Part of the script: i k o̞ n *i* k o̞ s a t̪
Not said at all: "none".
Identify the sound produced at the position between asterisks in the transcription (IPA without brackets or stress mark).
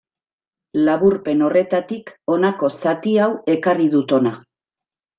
a